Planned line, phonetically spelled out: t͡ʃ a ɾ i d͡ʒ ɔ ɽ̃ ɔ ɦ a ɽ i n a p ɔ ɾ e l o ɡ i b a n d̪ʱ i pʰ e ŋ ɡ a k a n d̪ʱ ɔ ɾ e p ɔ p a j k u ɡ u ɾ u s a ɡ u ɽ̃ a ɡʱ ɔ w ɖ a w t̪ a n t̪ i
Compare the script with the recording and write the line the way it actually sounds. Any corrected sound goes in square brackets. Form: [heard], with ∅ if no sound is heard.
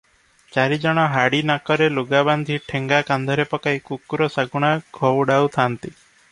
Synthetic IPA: t͡ʃ a ɾ i d͡ʒ ɔ ɽ̃ ɔ ɦ a ɽ i n a [k] ɔ ɾ e l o ɡ [a] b a n d̪ʱ i [ʈʰ] e ŋ ɡ a k a n d̪ʱ ɔ ɾ e p ɔ [k] a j k u [k] u ɾ [ɔ] s a ɡ u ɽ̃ a ɡʱ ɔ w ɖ a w [t̪ʰ] a n t̪ i